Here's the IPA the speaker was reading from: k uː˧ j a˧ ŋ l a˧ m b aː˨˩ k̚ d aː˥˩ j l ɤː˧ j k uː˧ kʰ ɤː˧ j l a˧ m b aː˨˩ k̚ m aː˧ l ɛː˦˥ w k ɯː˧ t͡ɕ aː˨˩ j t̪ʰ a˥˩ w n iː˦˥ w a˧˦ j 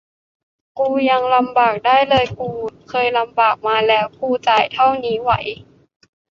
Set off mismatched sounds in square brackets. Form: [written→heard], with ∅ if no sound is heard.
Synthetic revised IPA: k uː˧ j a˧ ŋ l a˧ m b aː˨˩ k̚ d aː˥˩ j l ɤː˧ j k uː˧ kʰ ɤː˧ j l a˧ m b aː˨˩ k̚ m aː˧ l ɛː˦˥ w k [ɯː˧→uː˧] t͡ɕ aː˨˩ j t̪ʰ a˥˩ w n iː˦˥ w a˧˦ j